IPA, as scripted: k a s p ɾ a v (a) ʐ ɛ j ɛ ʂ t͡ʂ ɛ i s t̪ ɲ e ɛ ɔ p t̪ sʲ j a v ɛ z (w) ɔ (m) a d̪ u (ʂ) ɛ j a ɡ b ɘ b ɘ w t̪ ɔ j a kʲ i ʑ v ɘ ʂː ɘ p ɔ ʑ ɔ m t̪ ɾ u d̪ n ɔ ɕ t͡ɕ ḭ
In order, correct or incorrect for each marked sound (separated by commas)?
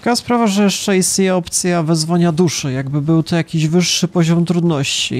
correct, incorrect, incorrect, correct